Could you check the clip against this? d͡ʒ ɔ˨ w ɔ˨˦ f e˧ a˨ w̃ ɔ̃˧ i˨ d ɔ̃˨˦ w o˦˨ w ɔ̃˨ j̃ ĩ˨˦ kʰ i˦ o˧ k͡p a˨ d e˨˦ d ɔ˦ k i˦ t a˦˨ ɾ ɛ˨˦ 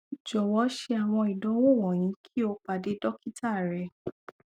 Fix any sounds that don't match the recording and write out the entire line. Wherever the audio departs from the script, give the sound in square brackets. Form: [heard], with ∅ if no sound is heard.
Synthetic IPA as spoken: d͡ʒ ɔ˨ w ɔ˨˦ [ʃ] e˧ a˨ w̃ ɔ̃˧ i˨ d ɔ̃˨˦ w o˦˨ w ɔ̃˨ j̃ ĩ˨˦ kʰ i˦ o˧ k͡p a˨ d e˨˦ d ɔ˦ k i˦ t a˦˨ ɾ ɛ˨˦